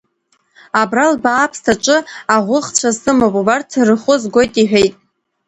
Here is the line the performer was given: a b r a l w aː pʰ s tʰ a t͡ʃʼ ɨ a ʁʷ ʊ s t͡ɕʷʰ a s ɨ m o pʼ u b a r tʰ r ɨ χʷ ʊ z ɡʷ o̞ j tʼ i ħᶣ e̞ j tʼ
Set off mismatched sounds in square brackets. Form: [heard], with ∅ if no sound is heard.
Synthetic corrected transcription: a b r a l [b] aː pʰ s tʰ a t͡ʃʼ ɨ a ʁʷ ʊ [χ] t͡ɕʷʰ a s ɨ m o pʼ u b a r tʰ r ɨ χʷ ʊ z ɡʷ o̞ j tʼ i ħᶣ e̞ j tʼ